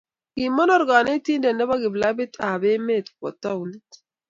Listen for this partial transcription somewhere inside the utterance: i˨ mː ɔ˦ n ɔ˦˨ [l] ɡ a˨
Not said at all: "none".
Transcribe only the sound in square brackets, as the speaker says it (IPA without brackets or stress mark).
ɾ